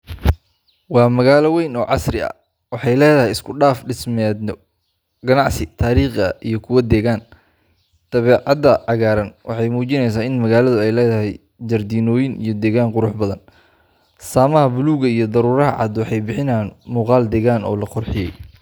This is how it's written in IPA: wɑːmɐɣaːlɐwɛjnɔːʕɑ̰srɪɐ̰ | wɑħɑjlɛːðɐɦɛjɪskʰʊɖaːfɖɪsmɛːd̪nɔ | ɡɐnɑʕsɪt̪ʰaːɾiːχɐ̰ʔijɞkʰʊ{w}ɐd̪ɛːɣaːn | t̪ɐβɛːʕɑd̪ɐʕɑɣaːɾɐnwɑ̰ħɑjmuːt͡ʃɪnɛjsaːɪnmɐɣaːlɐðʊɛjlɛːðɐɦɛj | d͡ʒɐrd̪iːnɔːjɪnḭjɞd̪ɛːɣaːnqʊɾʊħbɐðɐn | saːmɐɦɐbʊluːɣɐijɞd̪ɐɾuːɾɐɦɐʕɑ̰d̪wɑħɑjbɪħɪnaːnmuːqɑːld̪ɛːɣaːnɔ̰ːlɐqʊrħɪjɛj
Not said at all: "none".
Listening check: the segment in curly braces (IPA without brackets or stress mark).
w